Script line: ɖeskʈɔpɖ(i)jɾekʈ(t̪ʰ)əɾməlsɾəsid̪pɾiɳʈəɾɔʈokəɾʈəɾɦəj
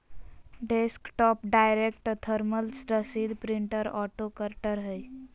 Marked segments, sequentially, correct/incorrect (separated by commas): incorrect, correct